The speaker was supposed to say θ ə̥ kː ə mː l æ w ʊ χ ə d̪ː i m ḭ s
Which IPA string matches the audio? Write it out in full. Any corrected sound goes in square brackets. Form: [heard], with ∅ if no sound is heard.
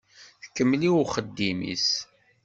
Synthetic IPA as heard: θ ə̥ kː ə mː l [i] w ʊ χ ə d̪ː i m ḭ s